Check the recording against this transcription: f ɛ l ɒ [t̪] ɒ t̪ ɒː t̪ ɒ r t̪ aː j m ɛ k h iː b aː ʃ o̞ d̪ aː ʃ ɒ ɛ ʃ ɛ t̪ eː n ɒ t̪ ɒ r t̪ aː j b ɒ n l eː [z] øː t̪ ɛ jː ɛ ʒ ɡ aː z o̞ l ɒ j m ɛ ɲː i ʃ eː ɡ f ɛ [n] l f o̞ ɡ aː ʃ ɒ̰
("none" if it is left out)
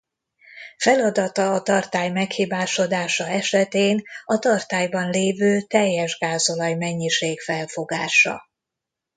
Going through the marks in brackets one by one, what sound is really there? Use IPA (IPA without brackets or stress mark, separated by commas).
d̪, v, none